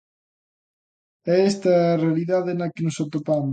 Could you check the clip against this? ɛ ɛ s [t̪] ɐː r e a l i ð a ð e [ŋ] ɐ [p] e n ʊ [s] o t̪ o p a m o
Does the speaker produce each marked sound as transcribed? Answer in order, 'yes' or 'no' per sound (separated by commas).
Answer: yes, no, no, yes